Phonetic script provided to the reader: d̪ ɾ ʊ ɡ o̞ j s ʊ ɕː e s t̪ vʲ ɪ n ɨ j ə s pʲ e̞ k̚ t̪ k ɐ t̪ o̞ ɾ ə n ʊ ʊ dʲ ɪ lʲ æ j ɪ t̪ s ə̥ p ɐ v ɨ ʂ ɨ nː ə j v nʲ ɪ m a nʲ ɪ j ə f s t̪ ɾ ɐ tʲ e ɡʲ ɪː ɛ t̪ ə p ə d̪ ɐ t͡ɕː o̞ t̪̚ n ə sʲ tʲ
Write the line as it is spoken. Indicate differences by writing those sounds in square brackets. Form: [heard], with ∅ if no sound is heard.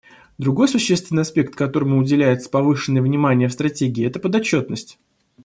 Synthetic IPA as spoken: d̪ ɾ ʊ ɡ o̞ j s ʊ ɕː e s t̪ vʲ ɪ n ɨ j [ɐ] s pʲ e̞ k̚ t̪ k ɐ t̪ o̞ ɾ ə [m] ʊ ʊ dʲ ɪ lʲ æ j ɪ t̪ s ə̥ p ɐ v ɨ ʂ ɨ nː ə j v nʲ ɪ m a nʲ ɪ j ə f s t̪ ɾ ɐ tʲ e ɡʲ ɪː ɛ t̪ ə p ə d̪ ɐ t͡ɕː o̞ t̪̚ n ə sʲ tʲ

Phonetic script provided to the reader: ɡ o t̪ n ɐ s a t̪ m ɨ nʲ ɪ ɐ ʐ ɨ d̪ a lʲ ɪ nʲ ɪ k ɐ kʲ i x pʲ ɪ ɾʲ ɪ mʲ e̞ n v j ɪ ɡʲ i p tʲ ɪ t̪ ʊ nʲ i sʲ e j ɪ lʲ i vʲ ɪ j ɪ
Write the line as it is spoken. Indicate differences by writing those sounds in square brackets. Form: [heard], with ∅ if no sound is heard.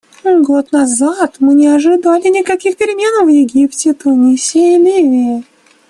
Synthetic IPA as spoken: ɡ o t̪ n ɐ [z] a t̪ m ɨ nʲ ɪ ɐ ʐ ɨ d̪ a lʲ ɪ nʲ ɪ k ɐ kʲ i x pʲ ɪ ɾʲ ɪ mʲ e̞ n v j ɪ ɡʲ i p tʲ ɪ t̪ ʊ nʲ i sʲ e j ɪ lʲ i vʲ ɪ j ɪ

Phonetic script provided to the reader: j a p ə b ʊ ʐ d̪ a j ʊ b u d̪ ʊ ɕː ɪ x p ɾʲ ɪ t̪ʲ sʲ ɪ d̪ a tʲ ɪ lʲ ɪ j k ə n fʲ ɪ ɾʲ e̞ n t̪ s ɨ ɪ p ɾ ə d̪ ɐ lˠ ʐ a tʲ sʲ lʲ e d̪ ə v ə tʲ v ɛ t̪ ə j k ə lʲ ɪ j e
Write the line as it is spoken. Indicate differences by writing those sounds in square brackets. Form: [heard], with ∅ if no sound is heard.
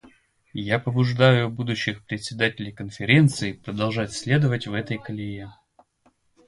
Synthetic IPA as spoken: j a p ə b ʊ ʐ d̪ a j ʊ b u d̪ ʊ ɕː ɪ x p ɾʲ ɪ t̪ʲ sʲ ɪ d̪ a tʲ ɪ lʲ ɪ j k ə n fʲ ɪ ɾʲ e̞ n t̪ s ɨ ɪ p ɾ ə d̪ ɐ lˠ ʐ a tʲ sʲ lʲ e d̪ ə v ə tʲ v ɛ t̪ ə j k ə lʲ ɪ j e

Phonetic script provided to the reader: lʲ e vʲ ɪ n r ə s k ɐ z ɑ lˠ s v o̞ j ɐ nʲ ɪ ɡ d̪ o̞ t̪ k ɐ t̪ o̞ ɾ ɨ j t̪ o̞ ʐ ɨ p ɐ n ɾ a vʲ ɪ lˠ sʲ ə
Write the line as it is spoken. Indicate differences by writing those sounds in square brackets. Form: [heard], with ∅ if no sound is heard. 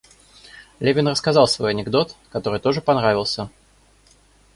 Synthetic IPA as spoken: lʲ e vʲ ɪ n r ə s k ɐ z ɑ lˠ s v o̞ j ɐ nʲ ɪ ɡ d̪ o̞ t̪ k ɐ t̪ o̞ ɾ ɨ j t̪ o̞ ʐ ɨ p ɐ n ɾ a vʲ ɪ lˠ sʲ ə

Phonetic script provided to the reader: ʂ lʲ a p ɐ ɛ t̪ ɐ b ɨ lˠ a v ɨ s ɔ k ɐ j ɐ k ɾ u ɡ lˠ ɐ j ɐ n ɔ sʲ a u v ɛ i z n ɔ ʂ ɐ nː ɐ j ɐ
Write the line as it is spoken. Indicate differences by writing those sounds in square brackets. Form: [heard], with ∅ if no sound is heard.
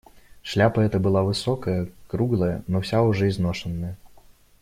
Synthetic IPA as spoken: ʂ lʲ a p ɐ ɛ t̪ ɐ b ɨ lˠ a v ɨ s ɔ k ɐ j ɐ k ɾ u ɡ lˠ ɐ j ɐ n ɔ sʲ a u [ʐ] ɛ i z n ɔ ʂ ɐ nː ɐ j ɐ

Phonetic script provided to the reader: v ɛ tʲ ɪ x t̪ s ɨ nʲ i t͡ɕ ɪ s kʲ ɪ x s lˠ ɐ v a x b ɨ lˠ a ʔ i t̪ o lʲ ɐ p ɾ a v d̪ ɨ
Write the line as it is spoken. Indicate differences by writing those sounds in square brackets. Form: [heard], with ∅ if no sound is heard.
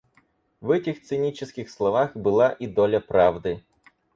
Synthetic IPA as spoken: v ɛ tʲ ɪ x t̪ s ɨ nʲ i t͡ɕ ɪ s kʲ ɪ x s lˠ ɐ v a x b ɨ lˠ a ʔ i [d̪] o lʲ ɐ p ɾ a v d̪ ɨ

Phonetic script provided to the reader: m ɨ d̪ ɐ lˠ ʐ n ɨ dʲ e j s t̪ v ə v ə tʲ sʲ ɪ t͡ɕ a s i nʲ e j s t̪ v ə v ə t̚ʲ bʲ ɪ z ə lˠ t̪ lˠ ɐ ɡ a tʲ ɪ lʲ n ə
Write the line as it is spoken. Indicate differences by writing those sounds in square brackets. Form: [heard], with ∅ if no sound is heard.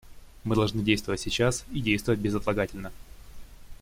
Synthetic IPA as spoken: m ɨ d̪ ɐ lˠ ʐ n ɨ dʲ e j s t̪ v ə v ə tʲ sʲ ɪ t͡ɕ a s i [dʲ] e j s t̪ v ə v ə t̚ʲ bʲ ɪ z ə [∅] t̪ lˠ ɐ ɡ a tʲ ɪ lʲ n ə

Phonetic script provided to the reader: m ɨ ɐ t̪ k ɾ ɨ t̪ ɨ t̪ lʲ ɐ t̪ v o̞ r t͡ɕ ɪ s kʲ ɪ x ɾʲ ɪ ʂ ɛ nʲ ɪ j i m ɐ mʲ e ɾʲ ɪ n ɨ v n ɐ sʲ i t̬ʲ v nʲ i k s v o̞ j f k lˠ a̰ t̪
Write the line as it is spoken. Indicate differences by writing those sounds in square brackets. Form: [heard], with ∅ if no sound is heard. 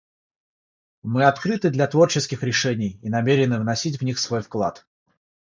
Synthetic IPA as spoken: m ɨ ɐ t̪ k ɾ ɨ t̪ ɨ [d̪] lʲ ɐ t̪ v o̞ r t͡ɕ ɪ s kʲ ɪ x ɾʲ ɪ ʂ ɛ nʲ ɪ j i [n] ɐ mʲ e ɾʲ ɪ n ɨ v n ɐ sʲ i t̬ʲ v nʲ i [x] s v o̞ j f k lˠ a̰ t̪

